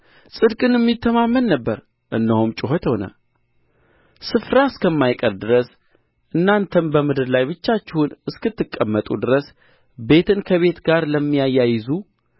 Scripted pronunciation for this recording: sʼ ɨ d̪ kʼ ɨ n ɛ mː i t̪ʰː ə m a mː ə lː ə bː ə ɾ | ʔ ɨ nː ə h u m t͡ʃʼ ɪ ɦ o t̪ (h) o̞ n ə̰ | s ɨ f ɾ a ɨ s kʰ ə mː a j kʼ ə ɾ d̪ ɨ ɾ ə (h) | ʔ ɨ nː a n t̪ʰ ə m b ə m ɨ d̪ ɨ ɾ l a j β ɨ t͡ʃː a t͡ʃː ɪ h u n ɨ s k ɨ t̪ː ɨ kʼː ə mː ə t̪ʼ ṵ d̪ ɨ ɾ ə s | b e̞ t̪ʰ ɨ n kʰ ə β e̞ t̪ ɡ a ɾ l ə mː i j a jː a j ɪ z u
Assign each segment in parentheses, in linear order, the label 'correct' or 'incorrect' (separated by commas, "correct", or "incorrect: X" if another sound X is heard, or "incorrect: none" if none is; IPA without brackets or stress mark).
correct, incorrect: s